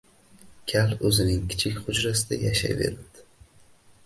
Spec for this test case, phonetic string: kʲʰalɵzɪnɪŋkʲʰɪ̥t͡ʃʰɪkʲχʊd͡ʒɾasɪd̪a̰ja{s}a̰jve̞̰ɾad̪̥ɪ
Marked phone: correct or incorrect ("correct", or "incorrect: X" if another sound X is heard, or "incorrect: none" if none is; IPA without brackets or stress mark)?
incorrect: ʃ